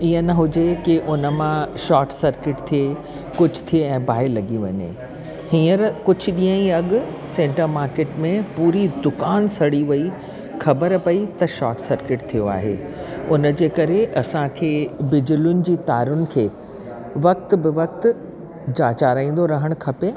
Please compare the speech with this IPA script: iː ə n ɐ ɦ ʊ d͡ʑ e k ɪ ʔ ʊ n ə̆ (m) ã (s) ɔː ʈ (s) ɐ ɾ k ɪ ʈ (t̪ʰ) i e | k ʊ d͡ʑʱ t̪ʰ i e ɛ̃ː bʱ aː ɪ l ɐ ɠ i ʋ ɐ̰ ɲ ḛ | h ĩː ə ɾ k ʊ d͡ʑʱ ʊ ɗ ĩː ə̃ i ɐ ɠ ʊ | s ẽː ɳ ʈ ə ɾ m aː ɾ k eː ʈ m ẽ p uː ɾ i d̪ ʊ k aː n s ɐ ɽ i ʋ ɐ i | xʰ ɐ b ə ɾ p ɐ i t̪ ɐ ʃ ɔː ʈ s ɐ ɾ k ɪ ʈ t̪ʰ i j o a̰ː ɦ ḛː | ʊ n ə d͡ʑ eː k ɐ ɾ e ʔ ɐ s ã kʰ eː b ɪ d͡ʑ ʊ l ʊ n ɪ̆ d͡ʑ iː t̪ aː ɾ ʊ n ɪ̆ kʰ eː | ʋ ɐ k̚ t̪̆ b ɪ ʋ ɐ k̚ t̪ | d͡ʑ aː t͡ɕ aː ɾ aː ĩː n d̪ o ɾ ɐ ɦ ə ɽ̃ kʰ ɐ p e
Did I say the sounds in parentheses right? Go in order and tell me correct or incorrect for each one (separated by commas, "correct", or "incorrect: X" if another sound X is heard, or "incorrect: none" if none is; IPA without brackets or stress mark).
correct, incorrect: ʃ, correct, correct